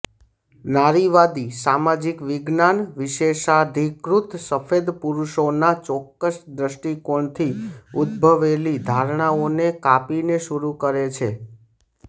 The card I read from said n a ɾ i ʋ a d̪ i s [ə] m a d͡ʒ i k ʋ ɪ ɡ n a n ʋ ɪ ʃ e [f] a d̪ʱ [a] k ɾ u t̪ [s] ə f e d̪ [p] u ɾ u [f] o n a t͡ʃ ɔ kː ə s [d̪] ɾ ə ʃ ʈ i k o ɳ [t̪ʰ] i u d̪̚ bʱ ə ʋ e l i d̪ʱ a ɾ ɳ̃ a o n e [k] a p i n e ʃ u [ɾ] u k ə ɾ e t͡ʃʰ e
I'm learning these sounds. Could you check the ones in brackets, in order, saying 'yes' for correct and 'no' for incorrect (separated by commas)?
no, no, no, yes, yes, no, yes, yes, yes, yes